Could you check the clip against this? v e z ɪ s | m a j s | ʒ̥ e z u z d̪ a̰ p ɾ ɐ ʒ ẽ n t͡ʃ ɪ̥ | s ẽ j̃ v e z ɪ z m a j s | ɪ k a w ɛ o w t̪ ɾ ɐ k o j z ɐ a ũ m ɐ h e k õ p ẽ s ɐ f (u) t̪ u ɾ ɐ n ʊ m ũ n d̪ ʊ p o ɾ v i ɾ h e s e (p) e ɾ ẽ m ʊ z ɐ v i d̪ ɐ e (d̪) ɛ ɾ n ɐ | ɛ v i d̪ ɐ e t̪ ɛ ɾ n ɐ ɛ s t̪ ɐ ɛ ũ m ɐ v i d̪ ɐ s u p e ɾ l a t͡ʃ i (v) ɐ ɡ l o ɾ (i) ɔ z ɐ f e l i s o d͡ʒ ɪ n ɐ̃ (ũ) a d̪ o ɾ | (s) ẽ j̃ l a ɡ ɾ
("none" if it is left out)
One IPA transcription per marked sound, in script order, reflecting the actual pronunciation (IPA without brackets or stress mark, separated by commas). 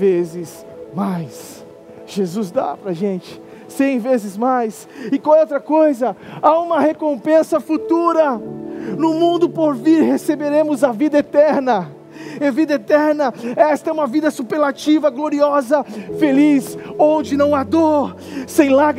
u, b, t̪, v, i, w̃, s